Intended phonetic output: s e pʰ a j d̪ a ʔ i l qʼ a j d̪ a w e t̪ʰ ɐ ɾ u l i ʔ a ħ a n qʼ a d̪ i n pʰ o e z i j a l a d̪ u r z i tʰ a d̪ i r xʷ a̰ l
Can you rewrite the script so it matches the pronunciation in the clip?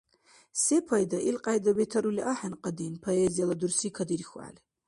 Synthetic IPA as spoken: s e pʰ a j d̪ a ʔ i l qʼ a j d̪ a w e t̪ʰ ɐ ɾ u l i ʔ a ħ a n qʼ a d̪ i n pʰ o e z i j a l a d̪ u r s i kʰ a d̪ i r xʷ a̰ l